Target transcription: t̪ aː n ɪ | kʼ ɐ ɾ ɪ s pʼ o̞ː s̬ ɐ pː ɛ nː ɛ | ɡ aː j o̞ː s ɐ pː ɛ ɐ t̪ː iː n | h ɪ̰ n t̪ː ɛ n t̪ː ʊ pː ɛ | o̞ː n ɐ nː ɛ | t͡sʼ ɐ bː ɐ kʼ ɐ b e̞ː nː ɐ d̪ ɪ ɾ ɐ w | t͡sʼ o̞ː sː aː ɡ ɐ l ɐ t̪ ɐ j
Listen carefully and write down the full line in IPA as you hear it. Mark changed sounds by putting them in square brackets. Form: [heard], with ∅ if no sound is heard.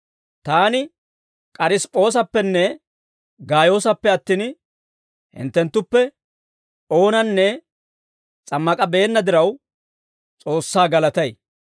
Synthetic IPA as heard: t̪ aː n ɪ | kʼ ɐ ɾ ɪ s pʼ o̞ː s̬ ɐ pː ɛ nː ɛ | ɡ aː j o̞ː s ɐ pː ɛ ɐ t̪ː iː n | h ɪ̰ n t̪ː ɛ n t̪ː ʊ pː ɛ | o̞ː n ɐ nː ɛ | t͡sʼ ɐ [mː] ɐ kʼ ɐ b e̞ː nː ɐ d̪ ɪ ɾ ɐ w | t͡sʼ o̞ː sː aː ɡ ɐ l ɐ t̪ ɐ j